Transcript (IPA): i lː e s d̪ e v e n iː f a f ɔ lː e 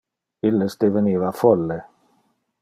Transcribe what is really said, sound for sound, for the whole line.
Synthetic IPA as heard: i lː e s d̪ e v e n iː v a f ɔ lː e